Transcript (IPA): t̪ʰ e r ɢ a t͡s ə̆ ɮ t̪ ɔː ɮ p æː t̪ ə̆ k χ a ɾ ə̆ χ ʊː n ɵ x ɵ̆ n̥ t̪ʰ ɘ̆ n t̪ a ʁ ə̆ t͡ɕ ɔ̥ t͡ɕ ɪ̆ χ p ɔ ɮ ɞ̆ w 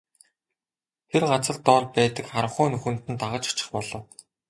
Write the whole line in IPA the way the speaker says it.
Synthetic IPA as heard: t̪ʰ e r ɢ a t͡s ə̆ ɮ t̪ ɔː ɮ p æː t̪ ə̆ k χ a ɾ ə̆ χ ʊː n ɵ x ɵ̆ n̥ t̪ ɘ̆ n t̪ a ʁ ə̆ t͡ɕ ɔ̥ t͡ɕ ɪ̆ χ p ɔ ɮ ɞ̆ w